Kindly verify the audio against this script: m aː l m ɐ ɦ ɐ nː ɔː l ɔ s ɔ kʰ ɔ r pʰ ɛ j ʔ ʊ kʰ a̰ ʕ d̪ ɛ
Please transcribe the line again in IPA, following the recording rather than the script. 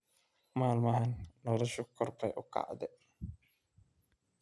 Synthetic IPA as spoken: m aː l m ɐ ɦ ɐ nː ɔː l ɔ ʃ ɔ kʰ ɔ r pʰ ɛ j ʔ ʊ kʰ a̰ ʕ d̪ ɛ